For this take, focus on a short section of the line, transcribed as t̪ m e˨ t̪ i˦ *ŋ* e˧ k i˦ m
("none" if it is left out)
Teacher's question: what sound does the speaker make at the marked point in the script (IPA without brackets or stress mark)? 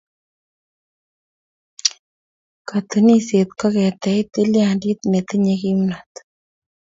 ɲ